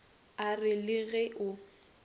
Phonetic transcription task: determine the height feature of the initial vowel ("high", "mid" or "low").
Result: low